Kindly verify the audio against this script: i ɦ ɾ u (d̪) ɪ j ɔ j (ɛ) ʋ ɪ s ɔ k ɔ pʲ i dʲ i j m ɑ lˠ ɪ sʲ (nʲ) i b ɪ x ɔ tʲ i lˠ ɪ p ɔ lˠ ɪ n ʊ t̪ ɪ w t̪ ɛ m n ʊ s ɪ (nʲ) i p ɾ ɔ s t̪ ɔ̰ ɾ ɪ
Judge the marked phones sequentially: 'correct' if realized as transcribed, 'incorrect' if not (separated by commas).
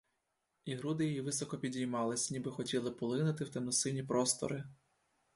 correct, incorrect, correct, correct